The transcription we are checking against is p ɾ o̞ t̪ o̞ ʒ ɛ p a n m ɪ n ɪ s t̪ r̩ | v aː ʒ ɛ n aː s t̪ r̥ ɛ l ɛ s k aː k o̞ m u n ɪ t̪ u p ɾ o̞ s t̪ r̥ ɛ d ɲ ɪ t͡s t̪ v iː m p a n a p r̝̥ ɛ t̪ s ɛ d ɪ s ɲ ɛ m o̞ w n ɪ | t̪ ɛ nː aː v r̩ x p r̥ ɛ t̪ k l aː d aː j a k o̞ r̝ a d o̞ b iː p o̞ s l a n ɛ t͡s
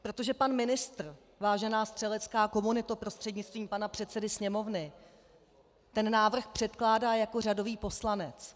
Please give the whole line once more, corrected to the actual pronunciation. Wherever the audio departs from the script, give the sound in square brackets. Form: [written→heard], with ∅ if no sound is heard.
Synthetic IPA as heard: p ɾ o̞ t̪ o̞ ʒ ɛ p a n m ɪ n ɪ s t̪ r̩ | v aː ʒ ɛ n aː s t̪ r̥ ɛ l ɛ [s→t͡s] k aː k o̞ m u n ɪ t̪ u p ɾ o̞ s t̪ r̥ ɛ d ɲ ɪ t͡s t̪ v iː m p a n a p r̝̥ ɛ t̪ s ɛ d ɪ s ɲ ɛ m o̞ [w→v] n ɪ | t̪ ɛ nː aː v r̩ x p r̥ ɛ t̪ k l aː d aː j a k o̞ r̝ a d o̞ [b→v] iː p o̞ s l a n ɛ t͡s